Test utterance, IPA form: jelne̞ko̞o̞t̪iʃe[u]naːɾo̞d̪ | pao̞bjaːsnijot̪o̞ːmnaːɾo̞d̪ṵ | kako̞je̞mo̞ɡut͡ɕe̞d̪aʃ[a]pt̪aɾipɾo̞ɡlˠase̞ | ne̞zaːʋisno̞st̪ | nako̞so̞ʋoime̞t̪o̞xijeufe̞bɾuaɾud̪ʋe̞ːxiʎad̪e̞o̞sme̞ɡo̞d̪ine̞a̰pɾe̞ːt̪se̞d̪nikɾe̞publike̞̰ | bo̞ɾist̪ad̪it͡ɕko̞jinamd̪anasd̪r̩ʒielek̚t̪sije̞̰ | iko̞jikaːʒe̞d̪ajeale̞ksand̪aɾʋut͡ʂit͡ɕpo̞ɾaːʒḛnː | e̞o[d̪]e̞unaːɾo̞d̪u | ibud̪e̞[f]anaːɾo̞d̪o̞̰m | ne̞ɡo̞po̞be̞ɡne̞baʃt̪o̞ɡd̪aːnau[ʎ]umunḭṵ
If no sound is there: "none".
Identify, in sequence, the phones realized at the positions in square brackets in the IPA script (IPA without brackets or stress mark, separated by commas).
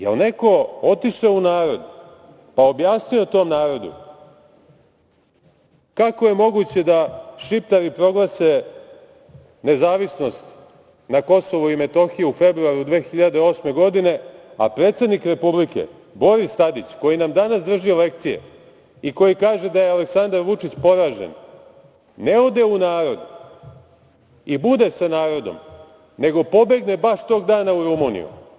u, i, d̪, s, ɾ